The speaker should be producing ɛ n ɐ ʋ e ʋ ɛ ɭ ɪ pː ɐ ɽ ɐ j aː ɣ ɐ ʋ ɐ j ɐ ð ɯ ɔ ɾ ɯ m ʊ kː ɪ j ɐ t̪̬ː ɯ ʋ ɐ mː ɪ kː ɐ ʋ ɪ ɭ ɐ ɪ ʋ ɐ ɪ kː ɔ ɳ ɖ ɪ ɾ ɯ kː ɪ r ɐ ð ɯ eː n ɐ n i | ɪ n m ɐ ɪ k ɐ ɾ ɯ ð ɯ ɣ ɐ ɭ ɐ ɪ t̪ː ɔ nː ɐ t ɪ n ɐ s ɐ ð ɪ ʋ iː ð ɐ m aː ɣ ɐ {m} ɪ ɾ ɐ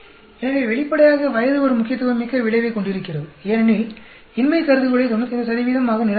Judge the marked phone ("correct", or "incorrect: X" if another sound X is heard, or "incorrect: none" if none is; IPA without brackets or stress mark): incorrect: n